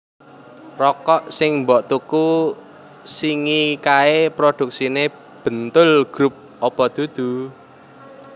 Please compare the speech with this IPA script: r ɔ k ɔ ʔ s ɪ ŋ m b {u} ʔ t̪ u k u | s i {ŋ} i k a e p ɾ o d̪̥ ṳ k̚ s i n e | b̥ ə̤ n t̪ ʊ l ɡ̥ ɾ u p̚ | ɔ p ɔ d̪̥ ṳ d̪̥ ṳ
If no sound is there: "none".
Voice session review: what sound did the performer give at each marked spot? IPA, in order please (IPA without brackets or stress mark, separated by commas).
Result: ɔ, ŋ